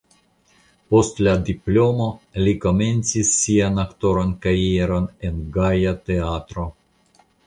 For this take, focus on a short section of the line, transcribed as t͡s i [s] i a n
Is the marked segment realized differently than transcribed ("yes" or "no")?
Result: yes